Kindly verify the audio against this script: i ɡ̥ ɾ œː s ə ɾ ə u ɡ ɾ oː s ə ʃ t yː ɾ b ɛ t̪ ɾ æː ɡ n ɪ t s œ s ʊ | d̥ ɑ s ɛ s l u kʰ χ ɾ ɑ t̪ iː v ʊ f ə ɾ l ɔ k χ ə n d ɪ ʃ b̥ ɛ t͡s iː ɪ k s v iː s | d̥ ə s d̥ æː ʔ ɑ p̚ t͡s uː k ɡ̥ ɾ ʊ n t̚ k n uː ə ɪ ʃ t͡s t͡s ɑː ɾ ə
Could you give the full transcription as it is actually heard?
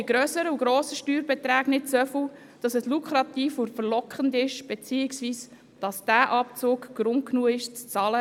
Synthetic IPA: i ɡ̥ ɾ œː s ə ɾ ə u ɡ ɾ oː s ə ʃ t yː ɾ b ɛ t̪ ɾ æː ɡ n ɪ t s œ f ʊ | d̥ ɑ s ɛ s l u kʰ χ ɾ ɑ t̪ iː f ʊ f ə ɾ l ɔ k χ ə n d ɪ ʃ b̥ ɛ t͡s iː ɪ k s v iː s | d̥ ɑ s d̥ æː ʔ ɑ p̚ t͡s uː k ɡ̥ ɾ ʊ n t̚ k n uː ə ɪ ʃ t͡s t͡s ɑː l ə